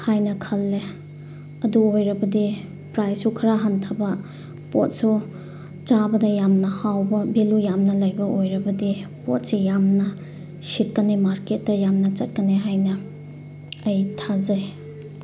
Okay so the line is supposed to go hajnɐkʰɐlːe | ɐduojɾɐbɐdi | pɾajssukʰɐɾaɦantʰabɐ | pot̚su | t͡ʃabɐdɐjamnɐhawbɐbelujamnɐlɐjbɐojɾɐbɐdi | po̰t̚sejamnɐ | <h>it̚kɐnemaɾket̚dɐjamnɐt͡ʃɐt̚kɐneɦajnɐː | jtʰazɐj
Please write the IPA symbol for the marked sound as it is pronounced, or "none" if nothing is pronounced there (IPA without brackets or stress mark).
s